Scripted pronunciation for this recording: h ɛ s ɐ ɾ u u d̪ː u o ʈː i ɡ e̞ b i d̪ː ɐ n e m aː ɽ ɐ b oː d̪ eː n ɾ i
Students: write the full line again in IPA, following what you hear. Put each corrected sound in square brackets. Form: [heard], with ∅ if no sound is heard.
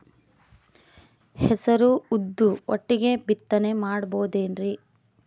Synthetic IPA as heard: h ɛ s ɐ ɾ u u d̪ː u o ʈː i ɡ e̞ b i [t̪ː] ɐ n e m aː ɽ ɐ b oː d̪ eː n ɾ i